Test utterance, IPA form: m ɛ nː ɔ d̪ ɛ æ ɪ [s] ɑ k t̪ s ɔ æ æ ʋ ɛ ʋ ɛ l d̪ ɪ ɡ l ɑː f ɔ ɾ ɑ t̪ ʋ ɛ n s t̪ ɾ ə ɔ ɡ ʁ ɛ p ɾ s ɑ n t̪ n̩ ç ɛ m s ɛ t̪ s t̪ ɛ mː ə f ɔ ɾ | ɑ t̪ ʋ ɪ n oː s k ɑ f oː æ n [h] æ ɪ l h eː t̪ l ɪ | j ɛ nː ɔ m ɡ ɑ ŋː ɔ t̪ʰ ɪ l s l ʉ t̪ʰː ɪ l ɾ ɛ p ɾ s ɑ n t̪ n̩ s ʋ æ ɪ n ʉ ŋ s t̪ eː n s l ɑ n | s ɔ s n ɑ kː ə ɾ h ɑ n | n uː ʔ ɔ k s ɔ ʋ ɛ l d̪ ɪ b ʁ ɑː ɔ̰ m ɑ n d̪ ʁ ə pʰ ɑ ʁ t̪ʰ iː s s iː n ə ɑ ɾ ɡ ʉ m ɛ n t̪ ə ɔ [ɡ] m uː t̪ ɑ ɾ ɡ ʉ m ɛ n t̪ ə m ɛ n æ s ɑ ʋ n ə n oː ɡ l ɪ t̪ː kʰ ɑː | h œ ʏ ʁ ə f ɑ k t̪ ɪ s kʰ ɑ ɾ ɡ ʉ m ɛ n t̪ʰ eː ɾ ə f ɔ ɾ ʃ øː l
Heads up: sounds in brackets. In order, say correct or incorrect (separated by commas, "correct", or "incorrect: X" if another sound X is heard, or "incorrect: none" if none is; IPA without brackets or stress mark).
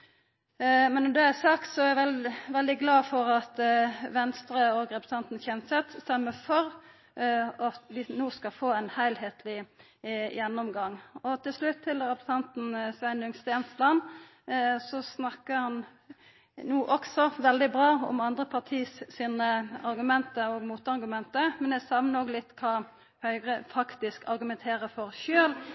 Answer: correct, correct, correct